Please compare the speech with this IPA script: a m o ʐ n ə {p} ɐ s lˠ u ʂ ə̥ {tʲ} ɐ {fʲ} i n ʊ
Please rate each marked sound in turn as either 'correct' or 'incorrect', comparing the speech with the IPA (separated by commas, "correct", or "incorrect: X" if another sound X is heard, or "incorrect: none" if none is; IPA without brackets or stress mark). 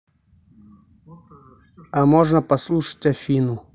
correct, correct, correct